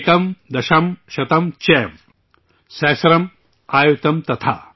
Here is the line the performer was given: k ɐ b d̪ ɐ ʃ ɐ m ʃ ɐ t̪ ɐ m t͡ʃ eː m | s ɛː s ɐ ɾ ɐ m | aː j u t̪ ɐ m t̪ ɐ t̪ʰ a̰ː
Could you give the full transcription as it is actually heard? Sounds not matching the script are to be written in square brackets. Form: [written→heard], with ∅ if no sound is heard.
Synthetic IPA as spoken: k ɐ [b→m] d̪ ɐ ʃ ɐ m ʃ ɐ t̪ ɐ m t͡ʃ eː m | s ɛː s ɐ ɾ ɐ m | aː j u t̪ ɐ m t̪ ɐ t̪ʰ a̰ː